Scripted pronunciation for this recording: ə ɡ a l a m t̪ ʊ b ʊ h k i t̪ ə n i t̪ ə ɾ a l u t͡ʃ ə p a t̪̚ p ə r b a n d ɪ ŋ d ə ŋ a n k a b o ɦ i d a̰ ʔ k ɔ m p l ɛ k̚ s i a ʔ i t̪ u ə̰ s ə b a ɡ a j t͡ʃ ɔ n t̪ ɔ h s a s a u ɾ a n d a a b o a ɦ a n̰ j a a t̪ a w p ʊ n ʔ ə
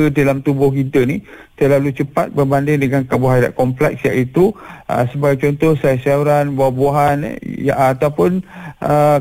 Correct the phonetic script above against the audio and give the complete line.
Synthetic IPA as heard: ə d a l a m t̪ u b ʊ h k i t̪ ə n i t̪ ə l a l u t͡ʃ ə p a t̪̚ b ə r b a n d ɪ ŋ d ə ŋ a n k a b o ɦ a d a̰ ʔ k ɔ m p l ɛ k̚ s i a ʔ i t̪ u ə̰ s ə b a ɡ a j t͡ʃ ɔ n t̪ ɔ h s a s a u ɾ a n b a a b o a ɦ a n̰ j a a t̪ a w p ʊ n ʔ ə